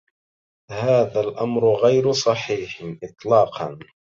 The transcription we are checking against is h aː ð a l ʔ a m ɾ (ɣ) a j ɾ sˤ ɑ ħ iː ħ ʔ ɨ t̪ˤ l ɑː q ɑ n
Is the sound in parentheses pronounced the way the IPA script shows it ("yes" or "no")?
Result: yes